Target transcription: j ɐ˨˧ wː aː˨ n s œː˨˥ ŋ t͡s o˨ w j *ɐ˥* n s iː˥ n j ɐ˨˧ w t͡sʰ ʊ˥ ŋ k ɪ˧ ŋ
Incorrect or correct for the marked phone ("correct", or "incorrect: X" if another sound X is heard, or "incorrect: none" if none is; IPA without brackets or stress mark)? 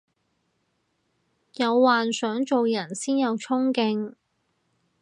incorrect: ɐ˨˩